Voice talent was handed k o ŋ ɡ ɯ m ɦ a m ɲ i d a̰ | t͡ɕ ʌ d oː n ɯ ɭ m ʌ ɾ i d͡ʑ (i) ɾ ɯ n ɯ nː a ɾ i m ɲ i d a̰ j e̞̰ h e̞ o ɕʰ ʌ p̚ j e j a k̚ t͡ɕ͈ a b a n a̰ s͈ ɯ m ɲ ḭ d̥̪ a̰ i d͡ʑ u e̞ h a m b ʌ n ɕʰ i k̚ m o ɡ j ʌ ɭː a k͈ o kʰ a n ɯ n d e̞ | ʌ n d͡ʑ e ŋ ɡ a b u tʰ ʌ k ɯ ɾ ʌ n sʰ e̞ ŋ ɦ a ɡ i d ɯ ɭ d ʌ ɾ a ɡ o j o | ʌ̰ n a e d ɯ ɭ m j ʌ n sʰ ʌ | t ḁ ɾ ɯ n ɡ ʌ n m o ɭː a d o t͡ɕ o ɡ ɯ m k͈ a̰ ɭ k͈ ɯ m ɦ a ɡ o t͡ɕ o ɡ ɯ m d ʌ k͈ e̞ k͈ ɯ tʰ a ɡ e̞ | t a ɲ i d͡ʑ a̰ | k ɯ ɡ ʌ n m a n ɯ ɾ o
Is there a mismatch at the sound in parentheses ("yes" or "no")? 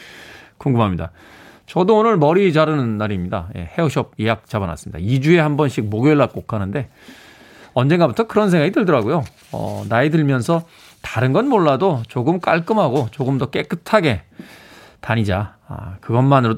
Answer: yes